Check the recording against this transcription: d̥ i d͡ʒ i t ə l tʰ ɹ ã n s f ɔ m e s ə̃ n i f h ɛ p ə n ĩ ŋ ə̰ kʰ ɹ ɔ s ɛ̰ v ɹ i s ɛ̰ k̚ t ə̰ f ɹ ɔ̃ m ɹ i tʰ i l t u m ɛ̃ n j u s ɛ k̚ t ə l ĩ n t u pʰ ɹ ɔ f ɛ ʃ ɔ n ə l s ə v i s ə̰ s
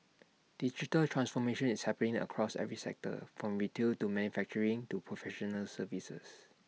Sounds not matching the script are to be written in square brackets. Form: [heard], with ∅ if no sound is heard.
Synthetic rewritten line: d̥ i d͡ʒ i t ə l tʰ ɹ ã n s f ɔ m e [ʃ] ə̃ n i [s] h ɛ p ə n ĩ ŋ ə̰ kʰ ɹ ɔ s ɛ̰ v ɹ i s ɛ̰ k̚ t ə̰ f ɹ ɔ̃ m ɹ i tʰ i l t u m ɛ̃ n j u [f] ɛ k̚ [t͡ʃ] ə [ɹ] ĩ [ŋ] t u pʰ ɹ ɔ f ɛ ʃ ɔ n ə l s ə v i s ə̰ s